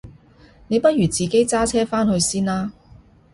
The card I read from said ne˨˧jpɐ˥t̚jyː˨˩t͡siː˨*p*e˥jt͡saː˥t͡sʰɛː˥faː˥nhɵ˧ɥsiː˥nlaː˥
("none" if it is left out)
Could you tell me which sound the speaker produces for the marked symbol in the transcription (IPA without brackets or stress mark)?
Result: k